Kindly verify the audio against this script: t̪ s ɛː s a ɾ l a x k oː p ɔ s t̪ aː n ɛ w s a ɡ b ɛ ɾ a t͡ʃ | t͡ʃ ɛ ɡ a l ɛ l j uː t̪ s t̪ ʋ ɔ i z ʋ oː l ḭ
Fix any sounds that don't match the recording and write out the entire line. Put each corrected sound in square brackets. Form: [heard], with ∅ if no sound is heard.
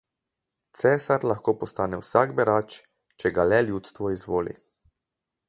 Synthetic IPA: t̪ s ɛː s a ɾ l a x k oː p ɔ s t̪ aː n ɛ w s a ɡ b ɛ ɾ a t͡ʃ | t͡ʃ ɛ ɡ a l ɛ l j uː t̪ s t̪ ʋ ɔ i z ʋ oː l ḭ